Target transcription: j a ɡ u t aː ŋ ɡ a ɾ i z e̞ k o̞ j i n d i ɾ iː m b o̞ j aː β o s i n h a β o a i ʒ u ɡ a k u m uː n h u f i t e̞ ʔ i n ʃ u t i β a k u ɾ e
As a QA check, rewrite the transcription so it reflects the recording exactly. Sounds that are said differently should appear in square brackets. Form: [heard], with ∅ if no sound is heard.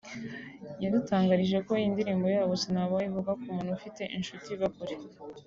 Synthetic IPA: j a [d] u t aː ŋ ɡ a ɾ i [ʒ] e̞ k o̞ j i n d i ɾ iː m b o̞ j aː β o s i n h a β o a i [v] u ɡ a k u m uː n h u f i t e̞ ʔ i n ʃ u t i β a k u ɾ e